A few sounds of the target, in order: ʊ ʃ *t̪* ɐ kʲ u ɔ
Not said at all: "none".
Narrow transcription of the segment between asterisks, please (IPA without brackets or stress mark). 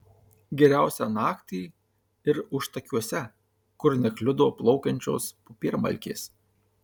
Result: t̪